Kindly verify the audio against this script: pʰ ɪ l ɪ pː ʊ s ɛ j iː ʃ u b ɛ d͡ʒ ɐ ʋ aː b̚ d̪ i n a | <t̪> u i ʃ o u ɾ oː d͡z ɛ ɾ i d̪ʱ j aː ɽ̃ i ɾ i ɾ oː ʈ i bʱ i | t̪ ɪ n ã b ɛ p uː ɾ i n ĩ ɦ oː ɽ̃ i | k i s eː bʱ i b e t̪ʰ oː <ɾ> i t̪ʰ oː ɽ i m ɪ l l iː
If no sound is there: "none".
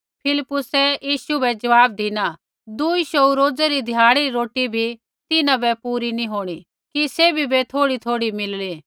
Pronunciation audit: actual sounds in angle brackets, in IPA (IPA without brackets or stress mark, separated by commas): d̪, ɽ